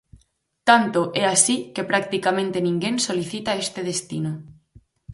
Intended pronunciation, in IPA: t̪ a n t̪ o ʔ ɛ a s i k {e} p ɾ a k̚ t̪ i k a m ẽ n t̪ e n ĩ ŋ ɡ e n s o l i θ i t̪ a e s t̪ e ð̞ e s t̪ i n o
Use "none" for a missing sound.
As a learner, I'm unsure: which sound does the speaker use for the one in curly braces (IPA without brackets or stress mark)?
e